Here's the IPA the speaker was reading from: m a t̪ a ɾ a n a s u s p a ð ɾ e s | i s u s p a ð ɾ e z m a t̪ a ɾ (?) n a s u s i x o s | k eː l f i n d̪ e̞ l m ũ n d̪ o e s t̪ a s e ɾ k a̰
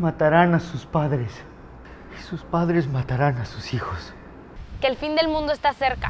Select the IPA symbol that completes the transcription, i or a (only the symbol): a